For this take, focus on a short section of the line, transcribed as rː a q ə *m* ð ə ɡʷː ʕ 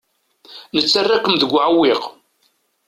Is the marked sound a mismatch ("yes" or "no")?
no